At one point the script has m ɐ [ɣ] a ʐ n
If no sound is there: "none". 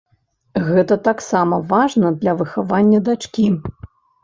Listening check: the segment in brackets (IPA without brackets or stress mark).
v